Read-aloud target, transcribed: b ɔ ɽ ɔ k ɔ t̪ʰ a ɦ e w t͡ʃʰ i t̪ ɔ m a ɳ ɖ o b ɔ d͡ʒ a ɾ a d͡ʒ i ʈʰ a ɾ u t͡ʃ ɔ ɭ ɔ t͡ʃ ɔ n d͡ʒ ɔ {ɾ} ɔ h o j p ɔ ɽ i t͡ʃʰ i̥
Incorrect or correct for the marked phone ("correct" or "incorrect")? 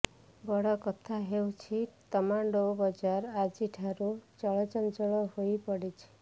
incorrect